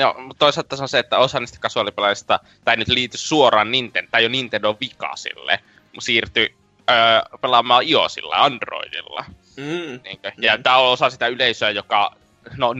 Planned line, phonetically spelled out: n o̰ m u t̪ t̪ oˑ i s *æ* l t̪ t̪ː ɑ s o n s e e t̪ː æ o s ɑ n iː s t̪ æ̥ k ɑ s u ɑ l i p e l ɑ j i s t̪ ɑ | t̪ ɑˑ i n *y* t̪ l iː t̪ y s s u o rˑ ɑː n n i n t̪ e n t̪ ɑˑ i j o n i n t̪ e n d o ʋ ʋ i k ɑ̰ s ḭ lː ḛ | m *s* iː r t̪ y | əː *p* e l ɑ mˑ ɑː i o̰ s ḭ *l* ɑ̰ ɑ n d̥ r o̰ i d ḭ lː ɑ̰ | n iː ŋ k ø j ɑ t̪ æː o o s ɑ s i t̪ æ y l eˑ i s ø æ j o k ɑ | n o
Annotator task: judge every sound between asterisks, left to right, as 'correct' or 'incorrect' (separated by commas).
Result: incorrect, correct, correct, correct, incorrect